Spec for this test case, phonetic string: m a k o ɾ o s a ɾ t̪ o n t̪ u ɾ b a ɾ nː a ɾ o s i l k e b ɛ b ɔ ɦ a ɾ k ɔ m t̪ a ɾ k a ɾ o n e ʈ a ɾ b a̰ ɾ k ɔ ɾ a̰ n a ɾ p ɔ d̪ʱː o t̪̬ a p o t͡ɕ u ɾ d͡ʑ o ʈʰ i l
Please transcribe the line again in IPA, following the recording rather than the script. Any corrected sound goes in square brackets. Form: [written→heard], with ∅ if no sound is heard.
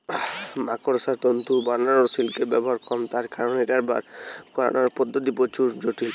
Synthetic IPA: m a k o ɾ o s a ɾ t̪ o n t̪ u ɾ b a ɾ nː a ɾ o s i l k e b ɛ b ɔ ɦ a ɾ k ɔ m t̪ a ɾ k a ɾ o n e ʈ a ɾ b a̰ ɾ k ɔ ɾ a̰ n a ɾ p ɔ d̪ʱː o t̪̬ [a→i] p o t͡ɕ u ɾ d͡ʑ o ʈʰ i l